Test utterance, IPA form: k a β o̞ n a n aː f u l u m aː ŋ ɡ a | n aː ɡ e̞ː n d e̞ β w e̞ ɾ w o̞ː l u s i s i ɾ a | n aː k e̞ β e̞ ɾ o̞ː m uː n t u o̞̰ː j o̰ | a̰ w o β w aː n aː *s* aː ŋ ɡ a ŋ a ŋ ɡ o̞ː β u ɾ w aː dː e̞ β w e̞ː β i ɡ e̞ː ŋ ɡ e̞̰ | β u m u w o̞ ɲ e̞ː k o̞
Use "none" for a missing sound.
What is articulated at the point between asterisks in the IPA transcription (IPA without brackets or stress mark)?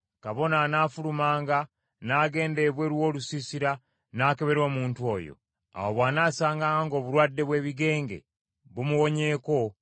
s